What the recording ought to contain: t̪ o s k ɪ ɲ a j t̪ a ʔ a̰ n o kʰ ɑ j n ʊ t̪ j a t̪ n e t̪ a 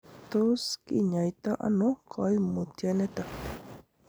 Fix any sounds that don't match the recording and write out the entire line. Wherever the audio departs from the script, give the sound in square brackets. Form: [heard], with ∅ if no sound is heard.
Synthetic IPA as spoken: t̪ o s k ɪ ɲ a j t̪ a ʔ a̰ n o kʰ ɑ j [m] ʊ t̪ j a [∅] n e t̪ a